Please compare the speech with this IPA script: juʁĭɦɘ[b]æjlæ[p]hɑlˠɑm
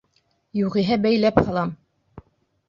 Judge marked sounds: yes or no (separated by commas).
yes, yes